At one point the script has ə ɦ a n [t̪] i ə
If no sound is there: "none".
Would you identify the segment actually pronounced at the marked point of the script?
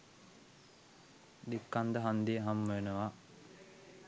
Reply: d̪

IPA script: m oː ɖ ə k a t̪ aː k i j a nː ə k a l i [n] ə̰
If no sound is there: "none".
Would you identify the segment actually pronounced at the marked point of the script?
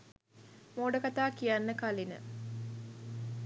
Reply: n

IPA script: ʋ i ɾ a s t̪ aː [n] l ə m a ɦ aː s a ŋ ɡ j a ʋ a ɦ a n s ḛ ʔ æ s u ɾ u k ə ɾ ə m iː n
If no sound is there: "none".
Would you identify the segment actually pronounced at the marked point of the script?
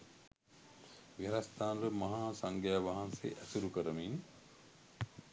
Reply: n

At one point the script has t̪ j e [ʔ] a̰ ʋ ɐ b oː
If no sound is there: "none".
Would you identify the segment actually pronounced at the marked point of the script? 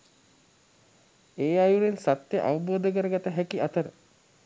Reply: ʔ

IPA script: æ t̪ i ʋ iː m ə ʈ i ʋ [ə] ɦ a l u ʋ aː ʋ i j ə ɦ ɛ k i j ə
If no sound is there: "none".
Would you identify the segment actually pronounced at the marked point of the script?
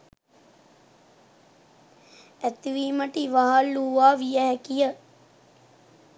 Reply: a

